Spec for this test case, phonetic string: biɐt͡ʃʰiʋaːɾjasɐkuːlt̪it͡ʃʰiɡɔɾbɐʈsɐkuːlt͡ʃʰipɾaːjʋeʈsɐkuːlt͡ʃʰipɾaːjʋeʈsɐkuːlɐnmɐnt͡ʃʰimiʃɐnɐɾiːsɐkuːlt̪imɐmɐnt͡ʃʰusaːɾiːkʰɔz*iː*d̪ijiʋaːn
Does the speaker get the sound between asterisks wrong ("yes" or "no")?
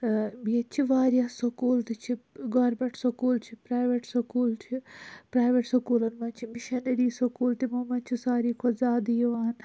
yes